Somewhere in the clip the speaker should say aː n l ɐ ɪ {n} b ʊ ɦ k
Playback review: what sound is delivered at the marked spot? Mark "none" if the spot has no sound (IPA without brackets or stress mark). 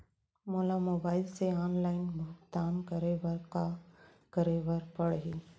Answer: n